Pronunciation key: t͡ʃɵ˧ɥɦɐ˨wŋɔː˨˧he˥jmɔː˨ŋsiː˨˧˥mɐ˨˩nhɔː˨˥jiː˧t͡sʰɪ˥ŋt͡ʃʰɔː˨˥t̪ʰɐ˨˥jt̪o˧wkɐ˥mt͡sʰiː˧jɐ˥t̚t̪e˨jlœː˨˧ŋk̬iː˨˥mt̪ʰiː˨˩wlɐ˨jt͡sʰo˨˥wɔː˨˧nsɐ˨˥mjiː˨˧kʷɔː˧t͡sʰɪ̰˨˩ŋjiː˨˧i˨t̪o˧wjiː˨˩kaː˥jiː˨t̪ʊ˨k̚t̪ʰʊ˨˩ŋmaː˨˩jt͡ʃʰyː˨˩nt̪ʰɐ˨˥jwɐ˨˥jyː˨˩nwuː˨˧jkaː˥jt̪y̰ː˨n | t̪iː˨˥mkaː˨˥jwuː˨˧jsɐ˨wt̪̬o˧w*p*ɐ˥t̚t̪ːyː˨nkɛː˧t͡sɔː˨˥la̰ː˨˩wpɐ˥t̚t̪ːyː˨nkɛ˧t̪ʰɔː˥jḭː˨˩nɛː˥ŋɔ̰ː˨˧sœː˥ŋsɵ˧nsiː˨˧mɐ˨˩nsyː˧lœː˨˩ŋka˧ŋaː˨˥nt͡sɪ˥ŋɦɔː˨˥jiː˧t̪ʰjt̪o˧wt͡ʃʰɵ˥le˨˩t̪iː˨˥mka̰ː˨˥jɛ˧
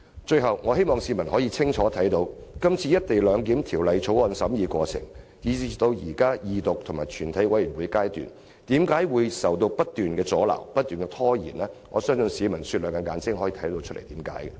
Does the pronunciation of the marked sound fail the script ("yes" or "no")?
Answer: no